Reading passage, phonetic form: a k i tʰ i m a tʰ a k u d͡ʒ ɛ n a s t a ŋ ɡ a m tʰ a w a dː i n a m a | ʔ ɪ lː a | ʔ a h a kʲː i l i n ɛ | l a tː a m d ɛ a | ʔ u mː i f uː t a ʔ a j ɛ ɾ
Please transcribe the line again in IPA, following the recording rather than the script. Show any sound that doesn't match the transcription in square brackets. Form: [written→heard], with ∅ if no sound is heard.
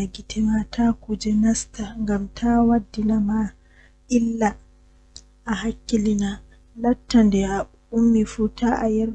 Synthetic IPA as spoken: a [k→ɡ] i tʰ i m a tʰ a k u d͡ʒ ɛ n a s t a ŋ ɡ a m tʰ a w a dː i n a m a | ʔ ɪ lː a | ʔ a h a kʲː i l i n [ɛ→a] | l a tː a [m→n] d ɛ a | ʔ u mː i f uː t a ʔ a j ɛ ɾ